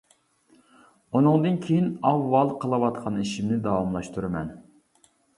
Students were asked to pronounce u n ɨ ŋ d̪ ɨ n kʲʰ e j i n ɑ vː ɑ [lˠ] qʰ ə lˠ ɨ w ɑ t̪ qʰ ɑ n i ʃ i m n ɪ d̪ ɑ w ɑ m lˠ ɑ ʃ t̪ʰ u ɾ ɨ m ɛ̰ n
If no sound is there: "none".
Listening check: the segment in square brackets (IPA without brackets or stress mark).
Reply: lˠ